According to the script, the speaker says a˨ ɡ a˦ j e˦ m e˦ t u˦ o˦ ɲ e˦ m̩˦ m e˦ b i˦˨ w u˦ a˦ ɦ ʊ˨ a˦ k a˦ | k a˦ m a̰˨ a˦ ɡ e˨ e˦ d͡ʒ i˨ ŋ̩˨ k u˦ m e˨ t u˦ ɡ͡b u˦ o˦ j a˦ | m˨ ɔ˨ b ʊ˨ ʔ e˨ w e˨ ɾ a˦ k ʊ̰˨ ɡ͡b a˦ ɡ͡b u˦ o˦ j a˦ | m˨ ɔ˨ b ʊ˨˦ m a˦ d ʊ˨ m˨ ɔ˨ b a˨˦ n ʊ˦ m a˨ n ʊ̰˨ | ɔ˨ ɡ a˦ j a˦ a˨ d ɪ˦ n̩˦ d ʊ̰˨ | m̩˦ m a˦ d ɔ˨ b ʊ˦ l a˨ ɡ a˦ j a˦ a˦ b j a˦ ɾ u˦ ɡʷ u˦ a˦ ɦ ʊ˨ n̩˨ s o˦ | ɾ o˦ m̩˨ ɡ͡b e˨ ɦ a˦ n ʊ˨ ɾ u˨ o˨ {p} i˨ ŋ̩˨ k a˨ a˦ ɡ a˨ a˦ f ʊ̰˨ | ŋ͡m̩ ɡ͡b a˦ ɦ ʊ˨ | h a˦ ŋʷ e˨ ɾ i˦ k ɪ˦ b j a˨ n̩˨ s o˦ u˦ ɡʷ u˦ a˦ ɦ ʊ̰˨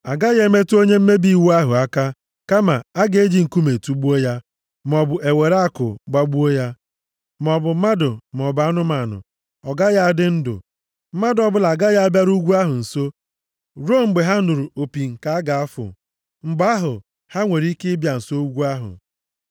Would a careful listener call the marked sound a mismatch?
no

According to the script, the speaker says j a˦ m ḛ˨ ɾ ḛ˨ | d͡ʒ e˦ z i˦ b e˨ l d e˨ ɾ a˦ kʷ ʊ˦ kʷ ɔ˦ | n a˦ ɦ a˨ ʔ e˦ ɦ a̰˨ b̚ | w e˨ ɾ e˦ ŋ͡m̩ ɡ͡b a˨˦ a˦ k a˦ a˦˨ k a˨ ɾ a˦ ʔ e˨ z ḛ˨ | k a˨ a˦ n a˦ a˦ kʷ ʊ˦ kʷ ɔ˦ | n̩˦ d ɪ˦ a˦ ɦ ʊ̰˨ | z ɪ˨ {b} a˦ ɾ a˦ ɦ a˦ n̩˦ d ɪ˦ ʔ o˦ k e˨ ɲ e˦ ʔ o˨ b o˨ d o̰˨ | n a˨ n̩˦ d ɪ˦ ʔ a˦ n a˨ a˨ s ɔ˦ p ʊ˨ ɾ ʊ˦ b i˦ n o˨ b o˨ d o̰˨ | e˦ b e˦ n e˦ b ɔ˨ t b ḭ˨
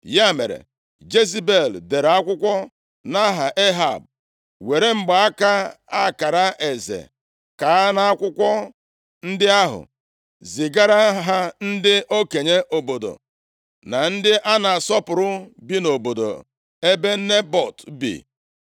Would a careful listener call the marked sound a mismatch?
yes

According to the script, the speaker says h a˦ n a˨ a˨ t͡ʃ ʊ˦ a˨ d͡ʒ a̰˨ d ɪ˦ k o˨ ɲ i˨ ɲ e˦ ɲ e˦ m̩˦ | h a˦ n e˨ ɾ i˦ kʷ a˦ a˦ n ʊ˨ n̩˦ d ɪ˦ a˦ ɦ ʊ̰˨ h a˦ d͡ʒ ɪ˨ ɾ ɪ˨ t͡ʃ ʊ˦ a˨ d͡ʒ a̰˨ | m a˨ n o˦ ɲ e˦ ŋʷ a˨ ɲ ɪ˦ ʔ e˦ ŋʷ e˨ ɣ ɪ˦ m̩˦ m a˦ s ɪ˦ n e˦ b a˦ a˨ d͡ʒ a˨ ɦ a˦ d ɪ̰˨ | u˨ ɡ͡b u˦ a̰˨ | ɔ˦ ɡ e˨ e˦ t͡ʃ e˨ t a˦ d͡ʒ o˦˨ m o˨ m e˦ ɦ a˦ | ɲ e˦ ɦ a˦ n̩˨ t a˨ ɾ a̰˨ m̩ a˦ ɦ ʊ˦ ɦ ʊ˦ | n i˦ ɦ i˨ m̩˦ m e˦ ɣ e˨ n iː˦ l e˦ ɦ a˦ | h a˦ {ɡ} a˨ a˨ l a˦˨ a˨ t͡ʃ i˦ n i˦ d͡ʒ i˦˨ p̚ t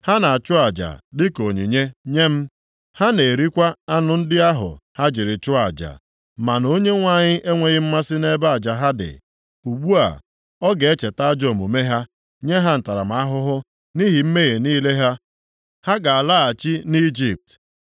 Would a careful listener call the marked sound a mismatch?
no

